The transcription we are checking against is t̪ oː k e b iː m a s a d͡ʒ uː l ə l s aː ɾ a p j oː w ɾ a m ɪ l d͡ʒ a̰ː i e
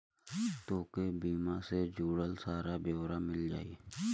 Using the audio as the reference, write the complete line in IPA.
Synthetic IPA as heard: t̪ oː k e b iː m a s e d͡ʒ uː ɽ ə l s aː ɾ a b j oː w ɾ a m ɪ l d͡ʒ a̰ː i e